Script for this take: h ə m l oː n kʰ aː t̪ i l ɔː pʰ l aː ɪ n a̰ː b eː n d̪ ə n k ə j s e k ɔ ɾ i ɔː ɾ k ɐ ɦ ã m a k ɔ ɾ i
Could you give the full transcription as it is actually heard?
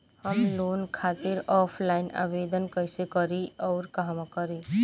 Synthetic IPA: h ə m l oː n kʰ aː t̪ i ɾ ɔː pʰ l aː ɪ n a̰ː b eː d̪ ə n k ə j s e k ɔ ɾ i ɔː ɾ k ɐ ɦ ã m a k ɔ ɾ i